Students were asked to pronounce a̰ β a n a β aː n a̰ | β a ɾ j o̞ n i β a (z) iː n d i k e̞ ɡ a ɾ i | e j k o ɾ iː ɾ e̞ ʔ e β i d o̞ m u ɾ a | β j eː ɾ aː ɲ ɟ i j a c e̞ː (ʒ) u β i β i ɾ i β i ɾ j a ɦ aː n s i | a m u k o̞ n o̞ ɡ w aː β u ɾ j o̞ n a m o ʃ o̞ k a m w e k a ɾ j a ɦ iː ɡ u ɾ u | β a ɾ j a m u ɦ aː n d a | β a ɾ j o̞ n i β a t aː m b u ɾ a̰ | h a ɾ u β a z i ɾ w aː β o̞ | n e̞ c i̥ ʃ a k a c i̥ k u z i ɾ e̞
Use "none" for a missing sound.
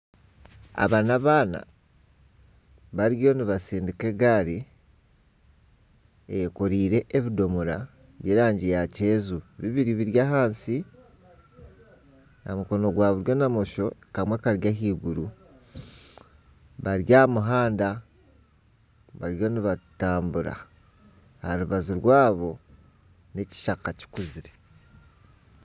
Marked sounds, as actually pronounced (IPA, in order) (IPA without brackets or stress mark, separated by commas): s, z